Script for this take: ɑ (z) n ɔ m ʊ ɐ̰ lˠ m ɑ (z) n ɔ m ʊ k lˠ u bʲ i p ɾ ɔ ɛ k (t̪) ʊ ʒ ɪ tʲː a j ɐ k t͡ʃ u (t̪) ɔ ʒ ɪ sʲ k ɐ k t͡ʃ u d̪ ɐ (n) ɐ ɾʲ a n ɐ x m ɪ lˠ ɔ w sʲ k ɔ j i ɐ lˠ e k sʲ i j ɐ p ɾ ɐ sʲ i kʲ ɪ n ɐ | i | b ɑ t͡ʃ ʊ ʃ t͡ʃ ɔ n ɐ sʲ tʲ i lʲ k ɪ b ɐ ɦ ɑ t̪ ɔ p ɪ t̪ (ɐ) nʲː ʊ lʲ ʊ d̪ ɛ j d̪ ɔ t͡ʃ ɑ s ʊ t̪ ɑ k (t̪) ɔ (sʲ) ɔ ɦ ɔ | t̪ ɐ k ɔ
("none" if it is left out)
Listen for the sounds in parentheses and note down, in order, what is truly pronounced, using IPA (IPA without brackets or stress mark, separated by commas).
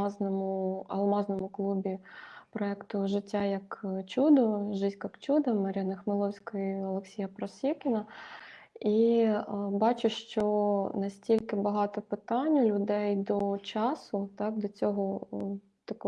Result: z, z, t̪, d̪, m, ɑ, d̪, t͡sʲ